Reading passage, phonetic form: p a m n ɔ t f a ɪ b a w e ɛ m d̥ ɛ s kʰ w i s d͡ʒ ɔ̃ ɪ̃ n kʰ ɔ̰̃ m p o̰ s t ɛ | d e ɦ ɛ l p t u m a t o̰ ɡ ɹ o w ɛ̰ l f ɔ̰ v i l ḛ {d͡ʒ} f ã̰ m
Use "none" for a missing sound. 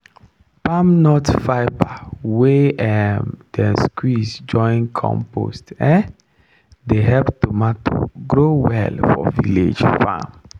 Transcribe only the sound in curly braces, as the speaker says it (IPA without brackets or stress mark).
d͡ʒ